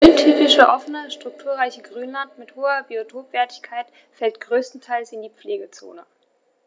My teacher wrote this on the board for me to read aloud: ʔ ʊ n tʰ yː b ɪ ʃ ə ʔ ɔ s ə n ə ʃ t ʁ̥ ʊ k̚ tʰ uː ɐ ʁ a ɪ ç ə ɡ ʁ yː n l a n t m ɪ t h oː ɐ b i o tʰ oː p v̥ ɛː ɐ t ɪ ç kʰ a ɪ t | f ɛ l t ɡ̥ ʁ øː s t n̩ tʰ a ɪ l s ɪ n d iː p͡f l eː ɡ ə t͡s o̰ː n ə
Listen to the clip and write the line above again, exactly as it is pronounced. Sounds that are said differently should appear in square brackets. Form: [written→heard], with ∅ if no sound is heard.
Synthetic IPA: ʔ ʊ n tʰ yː [b→p] ɪ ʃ ə ʔ ɔ [s→f] ə n ə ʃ t ʁ̥ ʊ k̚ tʰ uː ɐ ʁ a ɪ ç ə ɡ ʁ yː n l a n t m ɪ t h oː ɐ b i o tʰ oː p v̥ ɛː ɐ t ɪ ç kʰ a ɪ t | f ɛ l t ɡ̥ ʁ øː s t n̩ tʰ a ɪ l s ɪ n d iː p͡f l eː ɡ ə t͡s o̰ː n ə